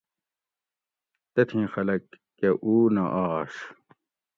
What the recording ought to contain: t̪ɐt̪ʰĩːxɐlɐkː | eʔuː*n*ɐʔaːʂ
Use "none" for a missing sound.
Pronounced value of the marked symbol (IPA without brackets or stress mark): n